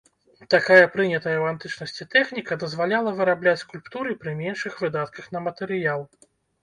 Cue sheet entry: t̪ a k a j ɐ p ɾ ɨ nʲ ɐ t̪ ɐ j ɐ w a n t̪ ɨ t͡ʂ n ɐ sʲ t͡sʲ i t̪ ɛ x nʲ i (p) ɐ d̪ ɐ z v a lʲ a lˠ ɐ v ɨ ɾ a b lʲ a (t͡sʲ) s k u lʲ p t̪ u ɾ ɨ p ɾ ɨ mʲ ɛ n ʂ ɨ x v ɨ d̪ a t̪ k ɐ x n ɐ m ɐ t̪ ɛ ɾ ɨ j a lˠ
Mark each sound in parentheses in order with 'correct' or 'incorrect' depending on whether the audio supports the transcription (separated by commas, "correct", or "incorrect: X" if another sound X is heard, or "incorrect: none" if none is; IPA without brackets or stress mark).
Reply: incorrect: k, correct